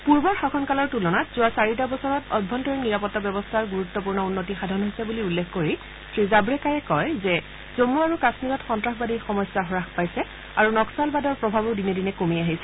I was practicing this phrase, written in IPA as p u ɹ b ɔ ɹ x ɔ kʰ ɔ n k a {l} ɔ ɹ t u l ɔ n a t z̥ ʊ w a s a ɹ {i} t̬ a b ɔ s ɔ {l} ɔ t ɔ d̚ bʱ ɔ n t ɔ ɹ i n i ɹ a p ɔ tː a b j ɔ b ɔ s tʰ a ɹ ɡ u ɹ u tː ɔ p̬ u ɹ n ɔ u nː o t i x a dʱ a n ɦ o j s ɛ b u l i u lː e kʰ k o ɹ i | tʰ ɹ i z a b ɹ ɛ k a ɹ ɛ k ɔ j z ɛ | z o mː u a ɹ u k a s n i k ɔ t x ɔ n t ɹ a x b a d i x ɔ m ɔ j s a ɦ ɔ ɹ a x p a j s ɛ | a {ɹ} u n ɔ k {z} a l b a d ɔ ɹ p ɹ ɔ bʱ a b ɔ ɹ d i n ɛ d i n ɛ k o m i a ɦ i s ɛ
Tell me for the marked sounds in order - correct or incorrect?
correct, correct, incorrect, correct, incorrect

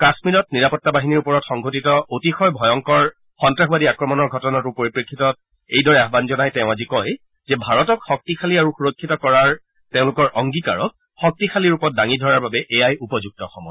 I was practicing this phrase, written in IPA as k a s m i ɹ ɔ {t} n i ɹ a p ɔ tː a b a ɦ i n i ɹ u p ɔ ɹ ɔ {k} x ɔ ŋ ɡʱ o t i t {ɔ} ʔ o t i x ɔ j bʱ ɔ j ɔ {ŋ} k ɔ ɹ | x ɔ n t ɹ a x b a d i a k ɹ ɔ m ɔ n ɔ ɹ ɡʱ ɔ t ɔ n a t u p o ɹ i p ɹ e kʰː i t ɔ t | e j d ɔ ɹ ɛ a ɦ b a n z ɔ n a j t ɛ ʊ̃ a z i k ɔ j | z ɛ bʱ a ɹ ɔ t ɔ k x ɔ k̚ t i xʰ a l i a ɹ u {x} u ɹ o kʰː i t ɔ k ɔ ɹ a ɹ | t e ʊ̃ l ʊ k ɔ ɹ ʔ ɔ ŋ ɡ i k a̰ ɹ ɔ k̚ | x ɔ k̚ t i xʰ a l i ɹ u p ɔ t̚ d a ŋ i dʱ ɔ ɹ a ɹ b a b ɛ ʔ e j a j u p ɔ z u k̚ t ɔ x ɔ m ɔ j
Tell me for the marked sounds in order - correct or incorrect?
correct, incorrect, correct, correct, correct

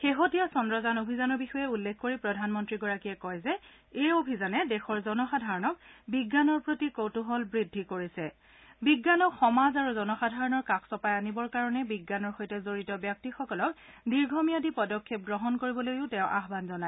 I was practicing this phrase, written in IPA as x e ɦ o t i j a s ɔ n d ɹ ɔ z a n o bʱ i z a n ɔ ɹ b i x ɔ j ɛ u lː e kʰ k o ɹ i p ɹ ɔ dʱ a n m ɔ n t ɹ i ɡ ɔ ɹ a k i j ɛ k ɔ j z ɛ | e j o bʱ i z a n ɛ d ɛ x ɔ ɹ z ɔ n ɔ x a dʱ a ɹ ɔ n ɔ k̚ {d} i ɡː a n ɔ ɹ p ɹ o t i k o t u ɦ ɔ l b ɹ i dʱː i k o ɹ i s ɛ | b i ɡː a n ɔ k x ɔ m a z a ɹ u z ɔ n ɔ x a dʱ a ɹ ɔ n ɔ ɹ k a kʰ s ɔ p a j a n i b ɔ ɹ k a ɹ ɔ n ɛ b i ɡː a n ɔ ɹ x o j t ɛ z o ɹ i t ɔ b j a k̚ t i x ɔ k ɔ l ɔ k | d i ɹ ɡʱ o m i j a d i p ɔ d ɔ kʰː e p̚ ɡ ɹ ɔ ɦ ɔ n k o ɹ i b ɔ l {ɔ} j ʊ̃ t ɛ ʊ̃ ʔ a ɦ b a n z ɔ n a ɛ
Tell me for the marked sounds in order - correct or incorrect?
incorrect, incorrect

